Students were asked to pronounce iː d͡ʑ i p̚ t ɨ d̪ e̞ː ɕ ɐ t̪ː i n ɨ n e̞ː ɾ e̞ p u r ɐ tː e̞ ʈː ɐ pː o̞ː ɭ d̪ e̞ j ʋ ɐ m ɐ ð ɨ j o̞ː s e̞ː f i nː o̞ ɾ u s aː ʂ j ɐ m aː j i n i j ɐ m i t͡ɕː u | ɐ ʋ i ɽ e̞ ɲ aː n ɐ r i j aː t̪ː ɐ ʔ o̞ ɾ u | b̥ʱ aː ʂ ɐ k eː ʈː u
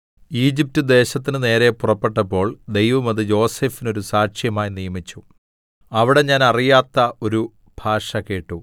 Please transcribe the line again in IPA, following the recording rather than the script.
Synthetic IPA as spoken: iː d͡ʑ i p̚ t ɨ d̪ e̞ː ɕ ɐ t̪ː i n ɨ n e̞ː ɾ e̞ p u r ɐ pː e̞ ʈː ɐ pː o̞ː ɭ d̪ e̞ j ʋ ɐ m ɐ ð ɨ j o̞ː s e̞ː f i n o̞ ɾ u s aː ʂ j ɐ m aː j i n i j ɐ m i t͡ɕː u | ɐ ʋ i ɽ e̞ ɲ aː n ɐ r i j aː t̪ː ɐ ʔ o̞ ɾ u | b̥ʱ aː ʂ ɐ k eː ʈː u

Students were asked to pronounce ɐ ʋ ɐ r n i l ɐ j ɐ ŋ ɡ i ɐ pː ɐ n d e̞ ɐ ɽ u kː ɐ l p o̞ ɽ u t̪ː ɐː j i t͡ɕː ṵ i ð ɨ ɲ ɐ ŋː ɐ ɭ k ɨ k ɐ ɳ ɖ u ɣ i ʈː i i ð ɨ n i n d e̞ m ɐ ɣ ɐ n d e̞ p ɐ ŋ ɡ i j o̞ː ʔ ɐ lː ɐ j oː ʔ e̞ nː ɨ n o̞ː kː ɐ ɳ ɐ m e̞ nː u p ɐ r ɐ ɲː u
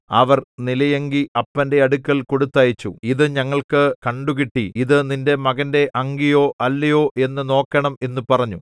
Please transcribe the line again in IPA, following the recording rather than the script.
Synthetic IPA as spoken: ɐ ʋ ɐ r n i l ɐ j ɐ ŋ ɡ i ɐ pː ɐ n d e̞ ɐ ɽ u kː ɐ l k o̞ ɽ u t̪ː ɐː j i t͡ɕː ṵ i ð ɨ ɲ ɐ ŋː ɐ ɭ k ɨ k ɐ ɳ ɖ u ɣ i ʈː i i ð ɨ n i n d e̞ m ɐ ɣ ɐ n d e̞ ʔ ɐ ŋ ɡ i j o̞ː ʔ ɐ lː ɐ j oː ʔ e̞ nː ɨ n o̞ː kː ɐ ɳ ɐ m e̞ nː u p ɐ r ɐ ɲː u

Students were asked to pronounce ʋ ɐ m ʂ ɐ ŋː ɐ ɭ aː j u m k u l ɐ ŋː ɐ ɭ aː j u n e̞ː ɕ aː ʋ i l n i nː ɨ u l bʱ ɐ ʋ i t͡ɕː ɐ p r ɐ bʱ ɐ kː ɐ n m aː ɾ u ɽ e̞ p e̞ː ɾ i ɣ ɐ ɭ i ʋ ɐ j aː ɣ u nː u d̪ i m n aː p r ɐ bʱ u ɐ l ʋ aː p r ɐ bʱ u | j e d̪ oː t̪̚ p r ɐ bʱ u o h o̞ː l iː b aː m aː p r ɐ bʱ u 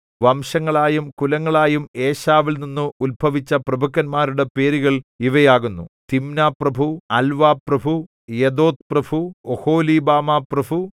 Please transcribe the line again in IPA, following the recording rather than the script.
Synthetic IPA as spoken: ʋ ɐ m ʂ ɐ ŋː ɐ ɭ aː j u m k u l ɐ ŋː ɐ ɭ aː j u m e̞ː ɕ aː ʋ i l n i nː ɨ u l bʱ ɐ ʋ i t͡ɕː ɐ p r ɐ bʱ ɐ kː ɐ n m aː ɾ u ɽ e̞ p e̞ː ɾ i ɣ ɐ ɭ i ʋ ɐ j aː ɣ u nː u t̪ i m n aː p r ɐ bʱ u ɐ l ʋ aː p r ɐ bʱ u | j e d̪ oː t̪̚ p r ɐ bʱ u o h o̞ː l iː b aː m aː p r ɐ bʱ u

